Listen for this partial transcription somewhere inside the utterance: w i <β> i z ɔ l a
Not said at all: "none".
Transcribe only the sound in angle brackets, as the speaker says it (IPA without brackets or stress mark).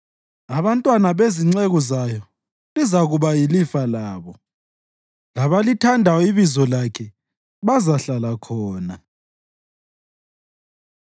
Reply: β